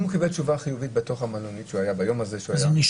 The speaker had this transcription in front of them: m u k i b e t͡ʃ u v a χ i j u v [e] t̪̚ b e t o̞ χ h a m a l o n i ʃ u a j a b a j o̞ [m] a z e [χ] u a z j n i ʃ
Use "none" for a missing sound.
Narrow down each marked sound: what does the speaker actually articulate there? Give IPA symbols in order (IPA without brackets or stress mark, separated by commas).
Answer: i, m, ʃ